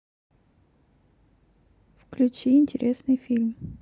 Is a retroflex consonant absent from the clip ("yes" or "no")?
yes